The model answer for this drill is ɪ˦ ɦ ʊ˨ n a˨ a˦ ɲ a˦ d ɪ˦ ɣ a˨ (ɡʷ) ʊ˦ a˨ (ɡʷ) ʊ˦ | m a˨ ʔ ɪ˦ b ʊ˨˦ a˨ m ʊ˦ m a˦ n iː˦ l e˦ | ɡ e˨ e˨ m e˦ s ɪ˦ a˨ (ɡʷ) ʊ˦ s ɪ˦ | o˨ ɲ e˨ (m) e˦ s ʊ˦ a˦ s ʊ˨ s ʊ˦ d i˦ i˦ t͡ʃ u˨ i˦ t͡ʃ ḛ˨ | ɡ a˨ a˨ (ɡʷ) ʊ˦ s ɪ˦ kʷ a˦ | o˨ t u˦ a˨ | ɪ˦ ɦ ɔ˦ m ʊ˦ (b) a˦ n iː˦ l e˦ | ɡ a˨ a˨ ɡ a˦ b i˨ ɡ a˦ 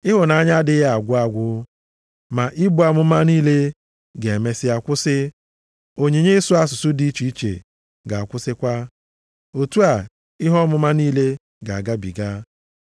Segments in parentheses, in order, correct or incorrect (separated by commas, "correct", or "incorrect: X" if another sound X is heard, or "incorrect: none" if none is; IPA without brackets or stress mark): correct, correct, incorrect: kʷ, incorrect: ɲ, incorrect: kʷ, incorrect: m